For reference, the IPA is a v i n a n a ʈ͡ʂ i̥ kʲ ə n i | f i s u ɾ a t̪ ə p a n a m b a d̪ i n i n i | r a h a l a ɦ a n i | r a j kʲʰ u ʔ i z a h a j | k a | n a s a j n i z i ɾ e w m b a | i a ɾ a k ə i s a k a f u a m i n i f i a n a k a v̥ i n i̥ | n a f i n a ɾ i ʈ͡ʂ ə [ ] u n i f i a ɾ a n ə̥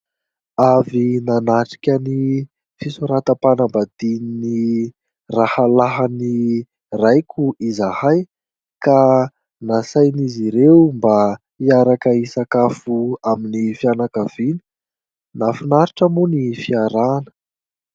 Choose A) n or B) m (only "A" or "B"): B